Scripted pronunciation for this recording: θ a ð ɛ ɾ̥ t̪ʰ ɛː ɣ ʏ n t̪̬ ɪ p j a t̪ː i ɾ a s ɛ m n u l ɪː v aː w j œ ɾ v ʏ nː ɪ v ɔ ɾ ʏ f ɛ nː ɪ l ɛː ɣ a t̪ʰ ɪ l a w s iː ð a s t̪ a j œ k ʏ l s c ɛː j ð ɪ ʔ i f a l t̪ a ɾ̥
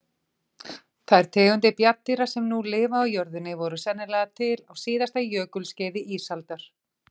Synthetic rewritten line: θ a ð ɛ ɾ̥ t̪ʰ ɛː ɣ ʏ n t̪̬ ɪ p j a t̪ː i ɾ a s ɛ m n u l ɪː v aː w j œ ɾ ð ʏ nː ɪ v ɔ ɾ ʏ s ɛ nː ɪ l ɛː ɣ a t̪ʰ ɪ l a w s iː ð a s t̪ a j œː k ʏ l s c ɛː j ð ɪ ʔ i s a l t̪ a ɾ̥